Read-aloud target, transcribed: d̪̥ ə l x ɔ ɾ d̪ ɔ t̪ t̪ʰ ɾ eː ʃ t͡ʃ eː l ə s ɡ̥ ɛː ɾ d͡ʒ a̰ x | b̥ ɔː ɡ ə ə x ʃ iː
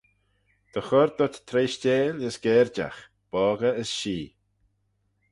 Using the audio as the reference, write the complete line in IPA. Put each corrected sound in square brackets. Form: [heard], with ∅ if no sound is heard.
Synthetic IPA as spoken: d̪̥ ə [∅] x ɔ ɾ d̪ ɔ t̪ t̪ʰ ɾ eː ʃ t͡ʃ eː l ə s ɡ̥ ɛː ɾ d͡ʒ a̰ x | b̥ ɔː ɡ ə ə [s] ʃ iː